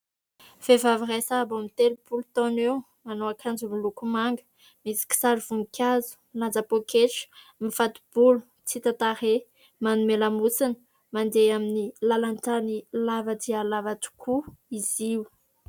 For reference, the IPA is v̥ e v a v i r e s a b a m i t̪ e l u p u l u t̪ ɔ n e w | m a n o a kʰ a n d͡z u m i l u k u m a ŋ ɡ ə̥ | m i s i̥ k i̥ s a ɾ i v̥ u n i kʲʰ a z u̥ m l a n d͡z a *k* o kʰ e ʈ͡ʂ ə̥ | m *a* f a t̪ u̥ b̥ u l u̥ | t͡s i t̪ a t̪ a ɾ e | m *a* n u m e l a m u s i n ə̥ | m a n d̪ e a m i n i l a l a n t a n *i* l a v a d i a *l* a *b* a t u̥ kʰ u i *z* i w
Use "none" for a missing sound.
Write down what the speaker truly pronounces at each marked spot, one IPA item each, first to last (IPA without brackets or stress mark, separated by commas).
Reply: p, i, a, i, l, v, z